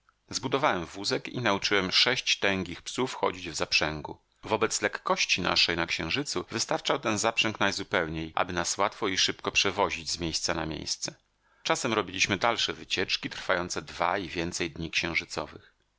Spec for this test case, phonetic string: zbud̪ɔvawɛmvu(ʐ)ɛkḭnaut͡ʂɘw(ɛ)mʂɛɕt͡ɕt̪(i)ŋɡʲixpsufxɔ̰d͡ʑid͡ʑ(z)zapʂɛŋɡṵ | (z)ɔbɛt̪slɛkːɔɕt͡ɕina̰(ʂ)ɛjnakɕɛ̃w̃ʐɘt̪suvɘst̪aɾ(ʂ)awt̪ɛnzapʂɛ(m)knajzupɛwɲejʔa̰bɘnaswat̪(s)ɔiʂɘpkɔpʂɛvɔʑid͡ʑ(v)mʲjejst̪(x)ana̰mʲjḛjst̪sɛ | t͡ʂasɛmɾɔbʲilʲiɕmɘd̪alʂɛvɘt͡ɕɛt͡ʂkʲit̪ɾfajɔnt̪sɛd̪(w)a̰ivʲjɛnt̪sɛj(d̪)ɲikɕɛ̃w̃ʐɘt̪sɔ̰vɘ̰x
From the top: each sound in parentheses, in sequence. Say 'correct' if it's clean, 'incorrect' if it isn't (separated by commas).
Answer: incorrect, correct, incorrect, incorrect, incorrect, correct, incorrect, incorrect, incorrect, incorrect, incorrect, incorrect, correct